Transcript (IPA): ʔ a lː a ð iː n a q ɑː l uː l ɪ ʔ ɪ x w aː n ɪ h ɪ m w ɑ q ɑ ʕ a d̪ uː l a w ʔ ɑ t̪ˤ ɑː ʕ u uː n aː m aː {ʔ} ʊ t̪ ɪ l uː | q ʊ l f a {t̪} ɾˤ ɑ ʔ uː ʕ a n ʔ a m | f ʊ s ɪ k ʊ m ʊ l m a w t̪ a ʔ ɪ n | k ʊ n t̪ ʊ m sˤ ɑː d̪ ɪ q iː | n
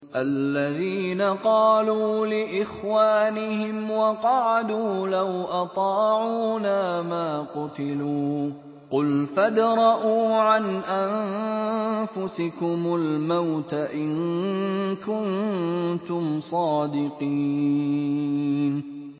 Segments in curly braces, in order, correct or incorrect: incorrect: q, incorrect: d̪

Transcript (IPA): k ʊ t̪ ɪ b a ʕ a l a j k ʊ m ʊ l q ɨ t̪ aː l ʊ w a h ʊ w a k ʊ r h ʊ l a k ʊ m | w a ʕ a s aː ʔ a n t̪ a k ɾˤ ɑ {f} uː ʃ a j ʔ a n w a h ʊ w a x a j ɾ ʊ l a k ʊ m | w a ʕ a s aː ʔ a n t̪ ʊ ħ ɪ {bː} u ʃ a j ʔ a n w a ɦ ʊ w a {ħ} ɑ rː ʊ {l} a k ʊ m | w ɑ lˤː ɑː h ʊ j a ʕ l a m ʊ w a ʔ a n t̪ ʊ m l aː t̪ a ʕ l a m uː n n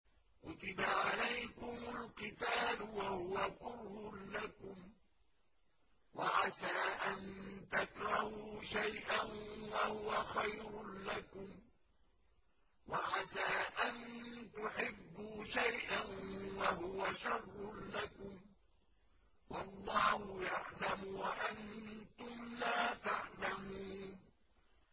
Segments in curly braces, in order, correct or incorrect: incorrect: h, correct, incorrect: ʃ, correct

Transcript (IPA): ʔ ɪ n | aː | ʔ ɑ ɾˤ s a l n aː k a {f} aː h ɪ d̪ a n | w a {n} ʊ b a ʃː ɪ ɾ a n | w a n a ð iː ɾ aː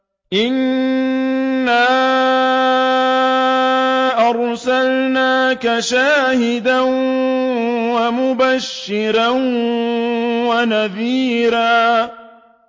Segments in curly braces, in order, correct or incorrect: incorrect: ʃ, incorrect: m

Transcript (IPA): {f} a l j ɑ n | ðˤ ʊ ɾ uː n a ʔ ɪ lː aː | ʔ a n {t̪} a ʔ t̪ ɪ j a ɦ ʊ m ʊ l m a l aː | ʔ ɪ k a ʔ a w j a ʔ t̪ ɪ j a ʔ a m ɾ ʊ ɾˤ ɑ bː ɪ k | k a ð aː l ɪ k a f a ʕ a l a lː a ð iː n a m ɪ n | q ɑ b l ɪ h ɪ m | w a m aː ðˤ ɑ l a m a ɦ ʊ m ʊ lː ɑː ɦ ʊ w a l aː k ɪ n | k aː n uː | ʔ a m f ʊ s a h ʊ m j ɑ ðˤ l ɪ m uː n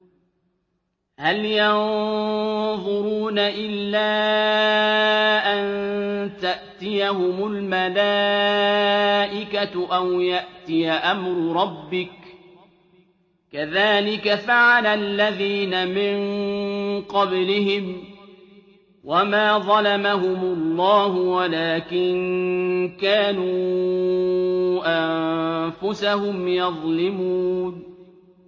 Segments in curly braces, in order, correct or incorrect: incorrect: h, correct

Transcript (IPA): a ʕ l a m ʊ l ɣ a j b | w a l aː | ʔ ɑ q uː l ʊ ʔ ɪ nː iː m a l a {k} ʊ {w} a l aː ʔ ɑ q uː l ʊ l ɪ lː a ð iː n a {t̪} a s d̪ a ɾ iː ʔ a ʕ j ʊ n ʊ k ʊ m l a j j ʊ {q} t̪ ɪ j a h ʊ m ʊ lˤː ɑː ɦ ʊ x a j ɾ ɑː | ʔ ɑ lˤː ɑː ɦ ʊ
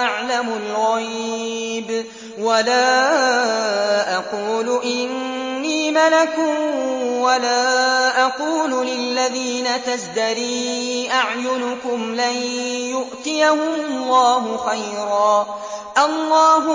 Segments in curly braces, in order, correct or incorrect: correct, correct, correct, incorrect: ʔ

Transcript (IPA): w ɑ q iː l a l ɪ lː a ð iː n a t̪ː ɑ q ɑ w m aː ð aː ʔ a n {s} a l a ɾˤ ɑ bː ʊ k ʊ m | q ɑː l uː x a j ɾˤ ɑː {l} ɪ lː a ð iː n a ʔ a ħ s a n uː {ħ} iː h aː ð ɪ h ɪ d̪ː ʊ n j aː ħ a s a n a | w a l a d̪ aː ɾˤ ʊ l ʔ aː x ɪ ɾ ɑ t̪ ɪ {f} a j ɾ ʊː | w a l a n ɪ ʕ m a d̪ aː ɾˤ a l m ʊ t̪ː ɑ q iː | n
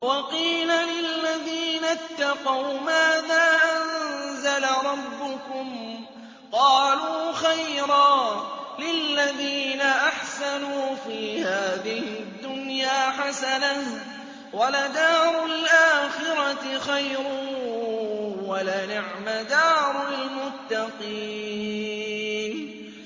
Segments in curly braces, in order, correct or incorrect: incorrect: z, correct, incorrect: f, incorrect: x

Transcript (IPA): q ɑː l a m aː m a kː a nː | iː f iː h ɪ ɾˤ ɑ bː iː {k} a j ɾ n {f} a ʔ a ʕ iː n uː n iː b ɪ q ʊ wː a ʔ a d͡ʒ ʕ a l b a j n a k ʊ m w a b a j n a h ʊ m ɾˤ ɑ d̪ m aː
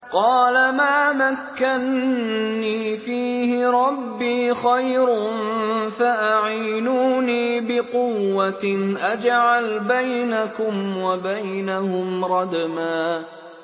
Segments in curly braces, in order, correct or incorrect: incorrect: x, correct

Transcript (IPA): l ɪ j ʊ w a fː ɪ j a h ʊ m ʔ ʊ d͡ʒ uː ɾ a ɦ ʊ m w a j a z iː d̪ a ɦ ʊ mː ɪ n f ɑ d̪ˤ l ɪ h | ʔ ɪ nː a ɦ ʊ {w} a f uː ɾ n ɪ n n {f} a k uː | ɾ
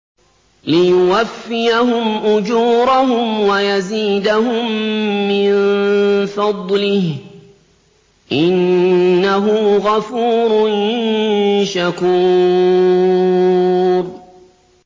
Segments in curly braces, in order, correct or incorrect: incorrect: ɣ, incorrect: ʃ

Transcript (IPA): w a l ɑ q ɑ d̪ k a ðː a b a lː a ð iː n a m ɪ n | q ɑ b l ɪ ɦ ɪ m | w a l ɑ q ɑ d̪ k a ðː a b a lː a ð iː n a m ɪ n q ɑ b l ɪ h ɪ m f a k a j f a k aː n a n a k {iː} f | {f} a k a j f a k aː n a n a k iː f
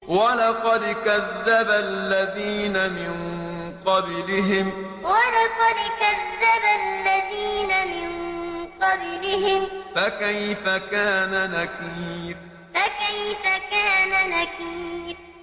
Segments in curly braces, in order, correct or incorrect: correct, correct

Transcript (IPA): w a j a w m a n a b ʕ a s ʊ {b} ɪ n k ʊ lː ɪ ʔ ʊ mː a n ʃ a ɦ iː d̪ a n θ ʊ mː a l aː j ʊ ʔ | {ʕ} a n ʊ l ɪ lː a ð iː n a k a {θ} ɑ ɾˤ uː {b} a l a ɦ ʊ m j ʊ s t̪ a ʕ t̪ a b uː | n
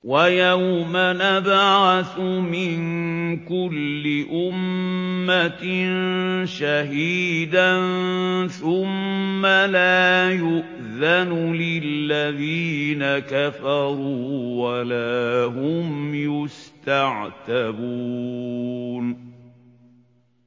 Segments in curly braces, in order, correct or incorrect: incorrect: m, incorrect: ð, incorrect: f, incorrect: w

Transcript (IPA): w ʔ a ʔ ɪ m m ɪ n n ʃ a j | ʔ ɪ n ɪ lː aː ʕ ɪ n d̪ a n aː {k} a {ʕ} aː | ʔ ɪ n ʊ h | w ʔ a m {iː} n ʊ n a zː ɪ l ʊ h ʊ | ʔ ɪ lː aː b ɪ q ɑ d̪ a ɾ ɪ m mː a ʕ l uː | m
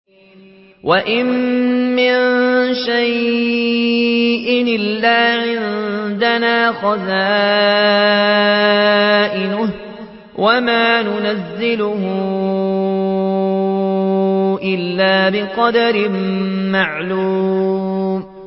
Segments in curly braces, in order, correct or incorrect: incorrect: x, incorrect: z, incorrect: aː

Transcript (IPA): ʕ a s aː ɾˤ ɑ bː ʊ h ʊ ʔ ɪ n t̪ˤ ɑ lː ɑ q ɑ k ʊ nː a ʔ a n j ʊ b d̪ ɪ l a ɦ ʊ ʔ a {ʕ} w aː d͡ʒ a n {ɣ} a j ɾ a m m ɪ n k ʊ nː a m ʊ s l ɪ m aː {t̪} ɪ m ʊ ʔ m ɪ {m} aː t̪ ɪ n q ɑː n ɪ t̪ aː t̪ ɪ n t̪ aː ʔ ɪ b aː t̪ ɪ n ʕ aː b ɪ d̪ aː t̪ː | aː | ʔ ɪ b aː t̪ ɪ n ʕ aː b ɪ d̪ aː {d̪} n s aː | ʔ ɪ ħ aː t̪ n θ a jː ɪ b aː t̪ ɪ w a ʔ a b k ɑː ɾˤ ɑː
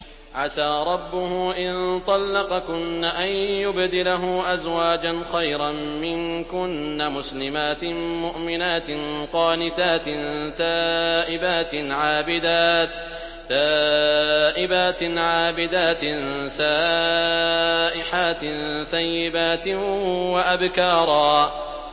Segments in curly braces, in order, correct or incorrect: incorrect: z, incorrect: x, correct, incorrect: n, incorrect: t̪

